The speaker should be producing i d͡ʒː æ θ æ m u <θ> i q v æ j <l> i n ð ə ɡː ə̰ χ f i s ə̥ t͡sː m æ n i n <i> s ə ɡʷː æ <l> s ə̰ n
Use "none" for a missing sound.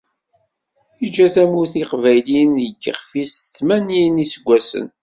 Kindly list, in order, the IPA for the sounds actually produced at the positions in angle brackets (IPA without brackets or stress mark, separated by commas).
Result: θ, l, i, none